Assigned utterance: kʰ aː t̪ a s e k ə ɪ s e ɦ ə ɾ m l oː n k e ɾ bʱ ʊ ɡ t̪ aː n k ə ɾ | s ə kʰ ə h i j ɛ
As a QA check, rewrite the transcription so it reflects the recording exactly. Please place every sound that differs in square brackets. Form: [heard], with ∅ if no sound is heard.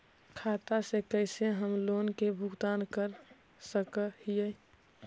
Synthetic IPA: kʰ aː t̪ a s e k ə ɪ s e ɦ ə [∅] m l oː n k e [∅] bʱ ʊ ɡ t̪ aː n k ə ɾ | s ə [k] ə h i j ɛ